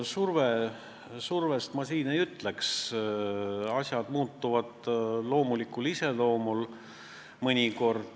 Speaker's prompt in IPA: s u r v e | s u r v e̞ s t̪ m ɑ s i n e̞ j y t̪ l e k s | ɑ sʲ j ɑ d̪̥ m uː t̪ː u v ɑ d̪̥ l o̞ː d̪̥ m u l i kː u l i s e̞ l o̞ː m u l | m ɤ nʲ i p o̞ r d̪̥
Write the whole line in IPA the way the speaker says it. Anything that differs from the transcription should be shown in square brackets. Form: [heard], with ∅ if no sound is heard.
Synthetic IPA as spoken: s u r v e | s u r v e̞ s t̪ m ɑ s [iː] n e̞ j y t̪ l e k s | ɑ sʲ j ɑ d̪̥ m uː t̪ː u v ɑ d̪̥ l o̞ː [∅] m u l i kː u l i s e̞ l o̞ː m u l | m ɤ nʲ i [k] o̞ r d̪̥